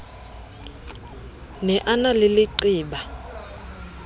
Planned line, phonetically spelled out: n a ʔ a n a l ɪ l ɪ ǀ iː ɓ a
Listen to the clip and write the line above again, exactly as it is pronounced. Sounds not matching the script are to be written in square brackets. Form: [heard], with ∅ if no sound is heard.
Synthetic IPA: n [ɛ] ʔ a n a l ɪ l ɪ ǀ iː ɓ a